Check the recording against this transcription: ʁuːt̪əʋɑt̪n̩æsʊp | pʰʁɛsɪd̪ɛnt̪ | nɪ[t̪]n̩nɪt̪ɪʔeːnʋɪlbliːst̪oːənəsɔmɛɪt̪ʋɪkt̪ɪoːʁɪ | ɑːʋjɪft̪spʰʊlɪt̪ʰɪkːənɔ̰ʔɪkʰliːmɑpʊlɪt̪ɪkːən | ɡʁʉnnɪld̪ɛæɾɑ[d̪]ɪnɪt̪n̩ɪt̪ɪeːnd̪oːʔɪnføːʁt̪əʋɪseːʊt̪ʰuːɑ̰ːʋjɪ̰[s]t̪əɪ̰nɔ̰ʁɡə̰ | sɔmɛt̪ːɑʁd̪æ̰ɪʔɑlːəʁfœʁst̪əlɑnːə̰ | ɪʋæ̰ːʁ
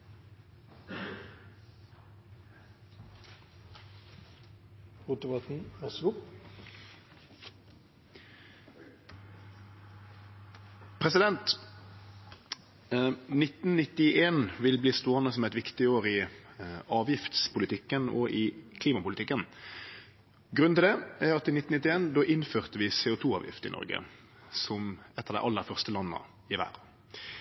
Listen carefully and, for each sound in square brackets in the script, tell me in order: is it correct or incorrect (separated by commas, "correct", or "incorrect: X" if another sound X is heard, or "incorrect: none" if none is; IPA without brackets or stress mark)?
correct, incorrect: t̪, incorrect: f